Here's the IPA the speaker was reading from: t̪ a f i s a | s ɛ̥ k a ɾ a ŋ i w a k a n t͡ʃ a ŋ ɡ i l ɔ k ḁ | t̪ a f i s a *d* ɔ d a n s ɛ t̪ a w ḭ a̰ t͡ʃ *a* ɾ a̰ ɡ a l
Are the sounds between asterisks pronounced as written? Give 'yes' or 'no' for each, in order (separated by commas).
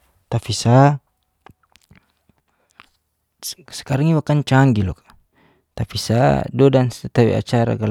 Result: yes, yes